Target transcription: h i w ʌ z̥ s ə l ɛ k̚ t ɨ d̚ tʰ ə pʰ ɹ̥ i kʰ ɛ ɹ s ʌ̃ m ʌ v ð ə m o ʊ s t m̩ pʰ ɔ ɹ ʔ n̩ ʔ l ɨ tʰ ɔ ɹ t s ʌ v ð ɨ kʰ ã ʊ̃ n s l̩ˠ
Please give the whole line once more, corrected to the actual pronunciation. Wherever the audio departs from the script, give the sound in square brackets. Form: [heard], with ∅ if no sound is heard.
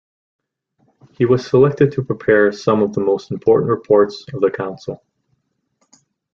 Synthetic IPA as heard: h i w ʌ z̥ s ə l ɛ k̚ t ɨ d̚ tʰ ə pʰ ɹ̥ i [pʰ] ɛ ɹ s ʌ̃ m ʌ v ð ə m o ʊ s t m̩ pʰ ɔ ɹ ʔ n̩ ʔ [ɹ] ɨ [pʰ] ɔ ɹ t s ʌ v ð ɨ kʰ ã ʊ̃ n s l̩ˠ